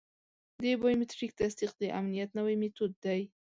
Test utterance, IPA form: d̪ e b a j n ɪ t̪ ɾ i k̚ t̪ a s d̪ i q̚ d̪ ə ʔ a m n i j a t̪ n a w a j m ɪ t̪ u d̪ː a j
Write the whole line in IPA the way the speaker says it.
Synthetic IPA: d̪ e b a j m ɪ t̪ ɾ i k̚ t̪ a s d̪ i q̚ d̪ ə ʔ a m n i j a t̪ n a w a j m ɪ t̪ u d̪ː a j